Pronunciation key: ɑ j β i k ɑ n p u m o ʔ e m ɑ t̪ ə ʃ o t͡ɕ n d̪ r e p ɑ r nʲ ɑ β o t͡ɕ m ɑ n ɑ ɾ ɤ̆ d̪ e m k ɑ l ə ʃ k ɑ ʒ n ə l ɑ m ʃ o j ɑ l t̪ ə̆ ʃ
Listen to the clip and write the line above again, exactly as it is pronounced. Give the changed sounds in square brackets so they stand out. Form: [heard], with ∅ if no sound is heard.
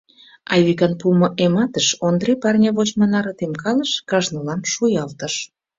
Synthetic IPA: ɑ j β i k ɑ n p u m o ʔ e m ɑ t̪ ə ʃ o [∅] n d̪ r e p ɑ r nʲ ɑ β o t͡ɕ m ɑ n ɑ ɾ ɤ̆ [t̪] e m k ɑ l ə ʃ k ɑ ʒ n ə l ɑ m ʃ [u] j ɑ l t̪ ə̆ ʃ

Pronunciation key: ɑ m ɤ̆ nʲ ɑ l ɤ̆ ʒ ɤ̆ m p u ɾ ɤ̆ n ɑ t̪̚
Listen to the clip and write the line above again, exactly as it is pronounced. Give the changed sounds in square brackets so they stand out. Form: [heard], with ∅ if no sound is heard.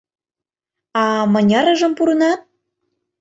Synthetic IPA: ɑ m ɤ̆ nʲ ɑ [ɾ] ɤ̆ ʒ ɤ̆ m p u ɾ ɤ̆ n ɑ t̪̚

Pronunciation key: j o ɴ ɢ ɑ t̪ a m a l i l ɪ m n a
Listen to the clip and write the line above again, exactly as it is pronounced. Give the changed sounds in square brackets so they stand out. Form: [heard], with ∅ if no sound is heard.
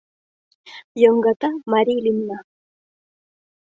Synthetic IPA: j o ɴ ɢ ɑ t̪ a m a [ɾ] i l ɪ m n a

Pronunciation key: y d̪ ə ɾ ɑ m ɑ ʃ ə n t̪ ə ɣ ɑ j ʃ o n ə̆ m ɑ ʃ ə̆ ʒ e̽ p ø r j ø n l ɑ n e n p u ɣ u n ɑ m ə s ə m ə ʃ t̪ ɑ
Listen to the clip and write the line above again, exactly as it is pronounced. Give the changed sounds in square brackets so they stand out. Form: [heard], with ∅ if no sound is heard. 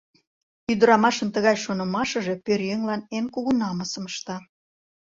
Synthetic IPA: y d̪ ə ɾ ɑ m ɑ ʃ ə n t̪ ə ɣ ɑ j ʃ o n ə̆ m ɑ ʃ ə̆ ʒ e̽ p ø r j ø [ŋ] l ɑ n e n [k] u ɣ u n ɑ m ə s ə m ə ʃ t̪ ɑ

